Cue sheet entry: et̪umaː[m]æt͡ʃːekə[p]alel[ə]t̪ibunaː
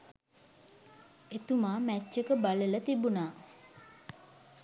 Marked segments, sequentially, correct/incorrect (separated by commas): correct, incorrect, correct